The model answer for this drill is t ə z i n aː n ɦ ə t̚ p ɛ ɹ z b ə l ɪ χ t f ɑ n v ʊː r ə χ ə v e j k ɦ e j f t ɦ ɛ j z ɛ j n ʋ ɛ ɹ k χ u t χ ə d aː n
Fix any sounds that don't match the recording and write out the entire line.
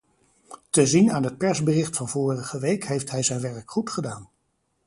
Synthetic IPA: t ə z i n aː n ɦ ə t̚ p ɛ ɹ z b ə r ɪ χ t f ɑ n v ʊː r ə χ ə ʋ e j k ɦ e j f t ɦ ɛ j z ɛ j n ʋ ɛ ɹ k χ u t χ ə d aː n